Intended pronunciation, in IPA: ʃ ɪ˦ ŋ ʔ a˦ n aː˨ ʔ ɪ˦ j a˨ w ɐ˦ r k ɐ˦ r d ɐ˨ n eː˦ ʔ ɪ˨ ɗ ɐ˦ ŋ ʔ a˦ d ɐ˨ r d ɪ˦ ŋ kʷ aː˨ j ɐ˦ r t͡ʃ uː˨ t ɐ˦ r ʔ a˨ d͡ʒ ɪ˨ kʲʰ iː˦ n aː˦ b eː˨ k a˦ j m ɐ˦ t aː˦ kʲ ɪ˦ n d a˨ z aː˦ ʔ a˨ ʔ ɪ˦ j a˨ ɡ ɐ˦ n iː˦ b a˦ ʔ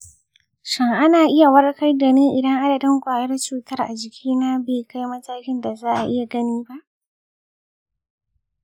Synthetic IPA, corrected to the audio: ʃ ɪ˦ ŋ ʔ a˦ n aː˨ ʔ ɪ˦ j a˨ w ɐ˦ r k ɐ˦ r d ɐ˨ n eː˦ ʔ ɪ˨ d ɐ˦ ŋ ʔ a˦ d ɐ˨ d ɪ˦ ŋ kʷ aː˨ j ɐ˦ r t͡ʃ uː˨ t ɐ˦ r ʔ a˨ d͡ʒ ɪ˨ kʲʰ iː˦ n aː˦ b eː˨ k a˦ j m ɐ˦ t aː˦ kʲ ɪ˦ n d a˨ z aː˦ ʔ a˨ ʔ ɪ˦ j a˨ ɡ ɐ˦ n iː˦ b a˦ ʔ